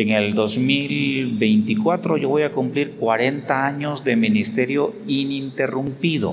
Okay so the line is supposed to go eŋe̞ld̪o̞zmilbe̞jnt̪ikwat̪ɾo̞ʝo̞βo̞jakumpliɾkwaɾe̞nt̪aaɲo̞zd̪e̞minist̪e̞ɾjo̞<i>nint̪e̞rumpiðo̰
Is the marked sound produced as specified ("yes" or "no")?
yes